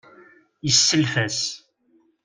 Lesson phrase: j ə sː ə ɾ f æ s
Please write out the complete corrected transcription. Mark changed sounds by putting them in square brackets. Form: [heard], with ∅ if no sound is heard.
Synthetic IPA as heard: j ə sː ə [l] f æ s

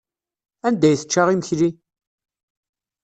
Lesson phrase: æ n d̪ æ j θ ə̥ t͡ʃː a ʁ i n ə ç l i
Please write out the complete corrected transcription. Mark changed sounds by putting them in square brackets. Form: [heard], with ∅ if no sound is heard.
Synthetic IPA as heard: æ n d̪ æ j θ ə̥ t͡ʃː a ʁ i [m] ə ç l i

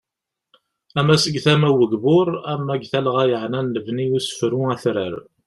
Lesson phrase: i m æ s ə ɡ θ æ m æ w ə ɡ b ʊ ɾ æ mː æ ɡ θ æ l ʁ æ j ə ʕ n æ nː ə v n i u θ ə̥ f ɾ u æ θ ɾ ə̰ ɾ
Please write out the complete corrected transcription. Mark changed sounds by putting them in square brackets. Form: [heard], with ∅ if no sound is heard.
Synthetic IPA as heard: [æ] m æ s ə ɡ θ æ m æ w ə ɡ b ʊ ɾ æ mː æ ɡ θ æ l ʁ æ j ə ʕ n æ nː ə v n i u [s] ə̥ f ɾ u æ θ ɾ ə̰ ɾ

